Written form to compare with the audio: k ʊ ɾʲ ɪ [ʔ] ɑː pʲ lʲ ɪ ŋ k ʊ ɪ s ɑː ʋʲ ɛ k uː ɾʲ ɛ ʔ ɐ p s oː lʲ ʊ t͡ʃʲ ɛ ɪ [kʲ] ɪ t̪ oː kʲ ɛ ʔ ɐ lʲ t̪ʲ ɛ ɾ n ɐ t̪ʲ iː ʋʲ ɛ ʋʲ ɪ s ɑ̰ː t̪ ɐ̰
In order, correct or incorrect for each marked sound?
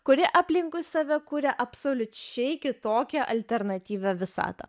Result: correct, correct

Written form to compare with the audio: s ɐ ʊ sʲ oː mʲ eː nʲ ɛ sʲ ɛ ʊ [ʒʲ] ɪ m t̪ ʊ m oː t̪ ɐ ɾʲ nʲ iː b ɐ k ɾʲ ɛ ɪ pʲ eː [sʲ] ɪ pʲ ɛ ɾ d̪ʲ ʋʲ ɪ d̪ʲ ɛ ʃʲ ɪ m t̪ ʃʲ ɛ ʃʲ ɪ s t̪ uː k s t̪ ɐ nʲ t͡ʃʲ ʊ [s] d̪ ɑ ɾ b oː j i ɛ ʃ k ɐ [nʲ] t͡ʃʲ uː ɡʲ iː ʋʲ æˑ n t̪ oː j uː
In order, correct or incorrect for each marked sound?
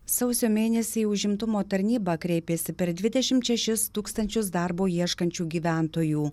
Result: correct, correct, correct, correct

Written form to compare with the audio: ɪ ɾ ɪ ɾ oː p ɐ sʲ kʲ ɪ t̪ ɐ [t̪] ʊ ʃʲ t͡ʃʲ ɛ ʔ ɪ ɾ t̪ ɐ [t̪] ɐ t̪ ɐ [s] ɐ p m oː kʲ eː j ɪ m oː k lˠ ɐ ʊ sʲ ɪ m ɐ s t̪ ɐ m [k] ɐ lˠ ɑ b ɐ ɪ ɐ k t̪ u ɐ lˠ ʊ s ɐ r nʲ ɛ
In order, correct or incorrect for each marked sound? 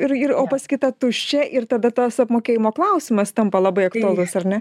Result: correct, incorrect: d̪, correct, incorrect: p

